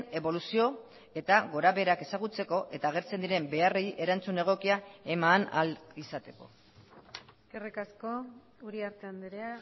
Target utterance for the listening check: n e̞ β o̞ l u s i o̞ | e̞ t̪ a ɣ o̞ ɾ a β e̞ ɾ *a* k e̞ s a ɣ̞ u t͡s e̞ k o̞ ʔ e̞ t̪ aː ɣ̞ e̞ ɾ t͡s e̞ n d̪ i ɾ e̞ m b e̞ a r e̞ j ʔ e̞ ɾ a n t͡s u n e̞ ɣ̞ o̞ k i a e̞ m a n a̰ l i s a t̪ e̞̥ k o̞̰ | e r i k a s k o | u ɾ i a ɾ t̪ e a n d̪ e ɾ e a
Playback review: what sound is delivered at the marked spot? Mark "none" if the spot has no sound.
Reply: a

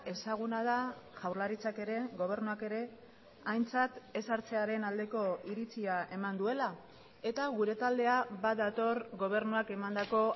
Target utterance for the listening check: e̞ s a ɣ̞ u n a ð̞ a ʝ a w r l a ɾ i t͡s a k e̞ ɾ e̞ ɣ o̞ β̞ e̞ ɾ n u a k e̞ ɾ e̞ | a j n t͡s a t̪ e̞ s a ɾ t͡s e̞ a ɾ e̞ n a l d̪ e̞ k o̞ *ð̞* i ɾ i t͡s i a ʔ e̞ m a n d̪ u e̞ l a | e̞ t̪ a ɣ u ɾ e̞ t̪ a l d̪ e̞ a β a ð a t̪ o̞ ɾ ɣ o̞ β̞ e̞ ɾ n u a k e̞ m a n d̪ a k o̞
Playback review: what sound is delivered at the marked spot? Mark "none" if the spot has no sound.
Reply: none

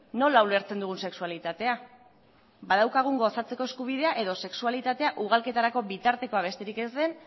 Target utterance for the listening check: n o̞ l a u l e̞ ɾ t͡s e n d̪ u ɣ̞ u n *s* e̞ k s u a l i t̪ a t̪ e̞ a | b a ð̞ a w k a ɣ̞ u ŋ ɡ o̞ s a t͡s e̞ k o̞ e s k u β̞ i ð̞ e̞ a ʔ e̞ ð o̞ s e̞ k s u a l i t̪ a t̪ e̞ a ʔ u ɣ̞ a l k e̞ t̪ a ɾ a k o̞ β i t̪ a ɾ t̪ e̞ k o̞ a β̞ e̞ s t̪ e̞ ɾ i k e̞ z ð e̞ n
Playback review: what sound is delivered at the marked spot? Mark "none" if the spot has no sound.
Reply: s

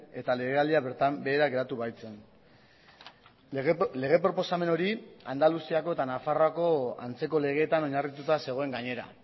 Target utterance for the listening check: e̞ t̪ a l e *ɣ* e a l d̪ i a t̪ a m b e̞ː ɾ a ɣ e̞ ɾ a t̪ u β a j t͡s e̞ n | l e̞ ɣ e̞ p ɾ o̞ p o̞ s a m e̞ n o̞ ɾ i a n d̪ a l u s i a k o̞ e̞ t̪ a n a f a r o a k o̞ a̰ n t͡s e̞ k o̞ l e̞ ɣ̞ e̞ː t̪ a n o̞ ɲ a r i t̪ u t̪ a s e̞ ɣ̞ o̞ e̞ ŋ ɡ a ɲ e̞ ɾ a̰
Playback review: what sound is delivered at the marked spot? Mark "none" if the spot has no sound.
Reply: ɣ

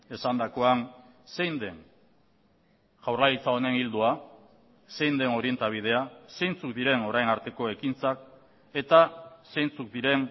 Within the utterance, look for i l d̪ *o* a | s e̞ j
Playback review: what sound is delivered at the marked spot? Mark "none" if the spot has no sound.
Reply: u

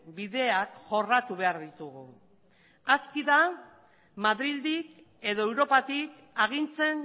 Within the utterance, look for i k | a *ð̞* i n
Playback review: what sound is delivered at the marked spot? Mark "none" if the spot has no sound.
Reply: ɣ̞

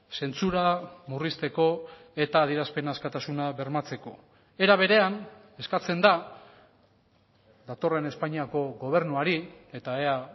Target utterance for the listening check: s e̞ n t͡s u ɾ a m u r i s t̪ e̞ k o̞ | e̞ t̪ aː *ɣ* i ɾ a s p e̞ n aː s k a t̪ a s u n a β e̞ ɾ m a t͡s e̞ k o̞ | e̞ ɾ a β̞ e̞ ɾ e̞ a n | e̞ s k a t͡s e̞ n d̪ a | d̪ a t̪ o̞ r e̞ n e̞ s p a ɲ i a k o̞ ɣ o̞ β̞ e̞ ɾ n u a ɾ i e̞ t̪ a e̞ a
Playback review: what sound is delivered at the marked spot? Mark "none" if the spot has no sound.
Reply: ð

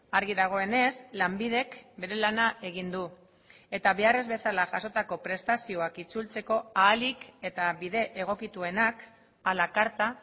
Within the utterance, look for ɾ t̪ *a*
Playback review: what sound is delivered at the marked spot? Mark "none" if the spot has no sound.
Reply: a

